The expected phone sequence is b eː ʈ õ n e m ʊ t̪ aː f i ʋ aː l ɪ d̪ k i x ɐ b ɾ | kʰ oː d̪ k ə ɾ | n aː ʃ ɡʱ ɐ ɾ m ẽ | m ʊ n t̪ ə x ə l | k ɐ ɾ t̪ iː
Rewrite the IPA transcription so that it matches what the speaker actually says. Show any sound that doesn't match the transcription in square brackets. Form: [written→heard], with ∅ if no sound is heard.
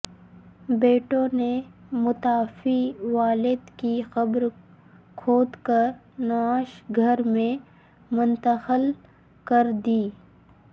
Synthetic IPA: b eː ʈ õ n e m ʊ t̪ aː f i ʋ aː l ɪ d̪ k i x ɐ b ɾ | kʰ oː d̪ k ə ɾ | n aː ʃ ɡʱ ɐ ɾ m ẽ | m ʊ n t̪ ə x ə l | k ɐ ɾ [t̪→d̪] iː